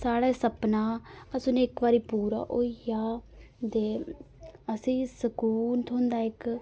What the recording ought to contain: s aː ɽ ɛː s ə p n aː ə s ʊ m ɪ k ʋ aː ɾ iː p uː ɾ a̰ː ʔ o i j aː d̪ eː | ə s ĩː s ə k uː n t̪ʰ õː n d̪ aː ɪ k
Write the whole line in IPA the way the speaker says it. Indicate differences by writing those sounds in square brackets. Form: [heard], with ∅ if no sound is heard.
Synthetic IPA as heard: s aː ɽ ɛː s ə p n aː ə s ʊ [n] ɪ k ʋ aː ɾ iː p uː ɾ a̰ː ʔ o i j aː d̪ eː | ə s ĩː s ə k uː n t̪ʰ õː n d̪ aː ɪ k